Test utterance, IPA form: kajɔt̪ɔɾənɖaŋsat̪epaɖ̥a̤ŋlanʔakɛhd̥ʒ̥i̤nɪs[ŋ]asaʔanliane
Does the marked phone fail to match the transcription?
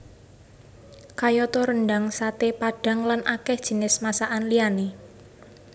yes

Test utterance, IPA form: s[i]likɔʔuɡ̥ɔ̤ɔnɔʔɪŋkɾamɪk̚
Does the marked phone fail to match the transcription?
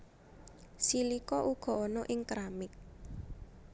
no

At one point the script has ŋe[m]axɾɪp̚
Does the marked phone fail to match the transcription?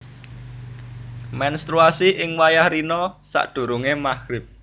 no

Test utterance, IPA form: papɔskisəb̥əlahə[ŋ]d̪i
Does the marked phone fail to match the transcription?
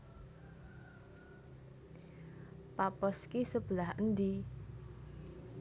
yes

